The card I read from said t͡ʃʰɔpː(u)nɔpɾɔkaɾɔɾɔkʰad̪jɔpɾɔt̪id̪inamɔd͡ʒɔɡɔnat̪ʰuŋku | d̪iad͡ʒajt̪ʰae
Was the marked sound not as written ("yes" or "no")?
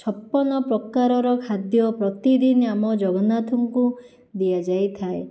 yes